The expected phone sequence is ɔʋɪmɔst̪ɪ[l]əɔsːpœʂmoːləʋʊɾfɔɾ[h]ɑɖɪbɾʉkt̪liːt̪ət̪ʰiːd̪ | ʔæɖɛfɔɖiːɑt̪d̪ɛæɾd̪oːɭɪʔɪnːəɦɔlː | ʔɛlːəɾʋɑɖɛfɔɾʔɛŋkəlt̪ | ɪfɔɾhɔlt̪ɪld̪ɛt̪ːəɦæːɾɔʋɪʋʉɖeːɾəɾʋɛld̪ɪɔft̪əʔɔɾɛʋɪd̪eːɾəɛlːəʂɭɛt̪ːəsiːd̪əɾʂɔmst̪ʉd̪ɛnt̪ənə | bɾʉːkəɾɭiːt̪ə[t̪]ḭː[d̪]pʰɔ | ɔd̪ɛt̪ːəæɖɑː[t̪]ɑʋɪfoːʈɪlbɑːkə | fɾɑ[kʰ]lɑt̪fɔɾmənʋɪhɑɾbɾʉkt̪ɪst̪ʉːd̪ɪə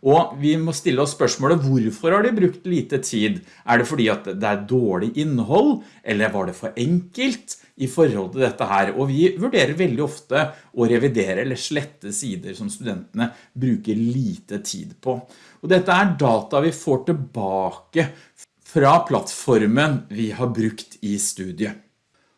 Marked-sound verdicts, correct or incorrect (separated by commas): incorrect, correct, incorrect, correct, correct, incorrect